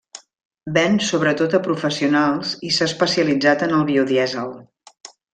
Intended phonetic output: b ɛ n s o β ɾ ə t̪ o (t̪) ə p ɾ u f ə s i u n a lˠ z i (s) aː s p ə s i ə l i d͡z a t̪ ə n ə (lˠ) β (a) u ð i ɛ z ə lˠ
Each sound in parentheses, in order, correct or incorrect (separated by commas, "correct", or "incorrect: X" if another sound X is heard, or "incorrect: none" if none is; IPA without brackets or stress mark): correct, correct, correct, incorrect: i